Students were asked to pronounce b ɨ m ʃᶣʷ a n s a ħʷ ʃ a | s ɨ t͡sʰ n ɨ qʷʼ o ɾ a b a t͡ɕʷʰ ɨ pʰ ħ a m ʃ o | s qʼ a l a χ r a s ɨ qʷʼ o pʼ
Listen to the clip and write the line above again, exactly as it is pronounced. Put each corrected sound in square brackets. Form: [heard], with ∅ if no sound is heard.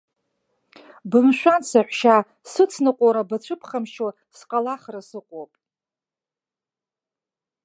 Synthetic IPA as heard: b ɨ m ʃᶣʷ a n s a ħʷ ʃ a | s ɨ t͡sʰ n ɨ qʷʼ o ɾ a b a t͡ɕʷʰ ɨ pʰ [χ] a m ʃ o | s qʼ a l a χ r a s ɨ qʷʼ o pʼ